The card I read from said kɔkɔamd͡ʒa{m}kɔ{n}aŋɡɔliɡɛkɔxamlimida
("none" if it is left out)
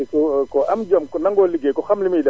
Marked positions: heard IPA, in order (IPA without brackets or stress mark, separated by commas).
m, n